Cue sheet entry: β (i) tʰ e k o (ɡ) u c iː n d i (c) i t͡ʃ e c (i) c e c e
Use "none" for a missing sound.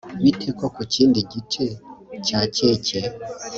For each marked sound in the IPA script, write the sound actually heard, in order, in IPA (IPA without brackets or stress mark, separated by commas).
i, k, ɟ, a